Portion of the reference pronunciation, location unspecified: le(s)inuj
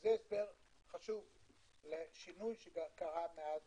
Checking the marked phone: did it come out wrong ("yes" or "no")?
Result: yes